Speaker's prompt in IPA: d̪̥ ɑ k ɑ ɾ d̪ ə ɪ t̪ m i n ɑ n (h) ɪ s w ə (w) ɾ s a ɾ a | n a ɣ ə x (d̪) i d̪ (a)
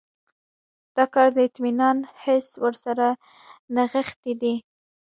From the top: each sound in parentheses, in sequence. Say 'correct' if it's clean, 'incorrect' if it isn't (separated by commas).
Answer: correct, incorrect, incorrect, incorrect